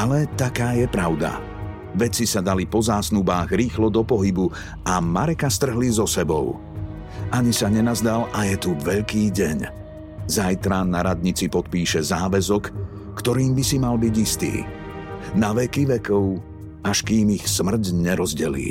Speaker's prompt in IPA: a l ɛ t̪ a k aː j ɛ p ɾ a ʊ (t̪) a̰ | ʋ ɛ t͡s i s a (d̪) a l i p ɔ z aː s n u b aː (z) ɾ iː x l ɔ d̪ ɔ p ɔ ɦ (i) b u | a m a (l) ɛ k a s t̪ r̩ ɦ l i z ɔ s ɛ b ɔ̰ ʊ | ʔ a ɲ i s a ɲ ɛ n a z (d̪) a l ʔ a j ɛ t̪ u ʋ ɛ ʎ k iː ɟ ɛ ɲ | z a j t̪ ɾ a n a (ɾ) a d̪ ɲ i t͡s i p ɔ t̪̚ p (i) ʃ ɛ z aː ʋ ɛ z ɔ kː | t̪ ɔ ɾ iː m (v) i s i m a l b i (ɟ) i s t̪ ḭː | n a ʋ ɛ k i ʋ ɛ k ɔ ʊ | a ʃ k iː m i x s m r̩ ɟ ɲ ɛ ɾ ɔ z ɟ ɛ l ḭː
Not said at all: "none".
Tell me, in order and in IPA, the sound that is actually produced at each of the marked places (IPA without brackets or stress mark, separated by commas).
d̪, d̪, ɣ, i, ɾ, d̪, ɾ, iː, b, ɟ